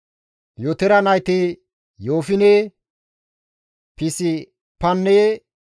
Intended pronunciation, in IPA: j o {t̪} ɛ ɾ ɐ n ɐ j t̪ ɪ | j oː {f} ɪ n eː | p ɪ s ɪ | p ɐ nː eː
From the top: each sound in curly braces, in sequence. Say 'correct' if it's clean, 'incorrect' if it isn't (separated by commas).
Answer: correct, correct